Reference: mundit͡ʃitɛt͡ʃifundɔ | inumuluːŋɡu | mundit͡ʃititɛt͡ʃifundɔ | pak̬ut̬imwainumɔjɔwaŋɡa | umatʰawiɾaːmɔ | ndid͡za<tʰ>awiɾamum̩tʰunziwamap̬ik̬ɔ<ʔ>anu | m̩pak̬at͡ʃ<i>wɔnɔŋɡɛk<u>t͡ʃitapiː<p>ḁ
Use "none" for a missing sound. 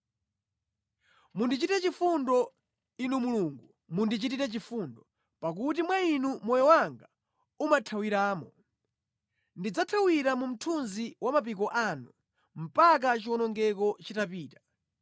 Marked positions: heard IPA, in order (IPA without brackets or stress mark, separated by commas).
tʰ, ʔ, i, ɔ, t